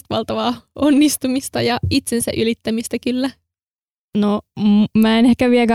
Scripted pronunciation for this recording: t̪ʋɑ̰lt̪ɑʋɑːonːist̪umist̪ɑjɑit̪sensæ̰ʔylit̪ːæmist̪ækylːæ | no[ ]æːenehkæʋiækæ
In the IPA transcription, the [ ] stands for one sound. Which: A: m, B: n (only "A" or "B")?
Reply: A